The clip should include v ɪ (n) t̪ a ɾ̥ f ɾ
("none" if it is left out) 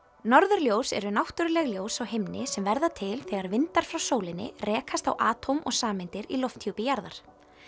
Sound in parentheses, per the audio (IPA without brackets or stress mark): n